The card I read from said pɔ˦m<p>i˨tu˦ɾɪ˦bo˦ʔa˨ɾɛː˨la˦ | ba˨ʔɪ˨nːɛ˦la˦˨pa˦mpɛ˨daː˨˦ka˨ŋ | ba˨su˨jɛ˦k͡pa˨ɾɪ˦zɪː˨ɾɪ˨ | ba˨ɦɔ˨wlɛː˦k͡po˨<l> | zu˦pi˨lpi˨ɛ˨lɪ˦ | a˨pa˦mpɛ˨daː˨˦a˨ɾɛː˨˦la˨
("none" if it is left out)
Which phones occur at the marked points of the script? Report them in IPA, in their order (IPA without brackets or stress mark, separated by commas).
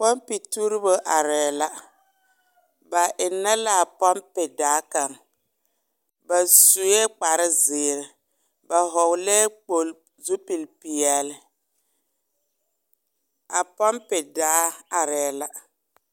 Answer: p, l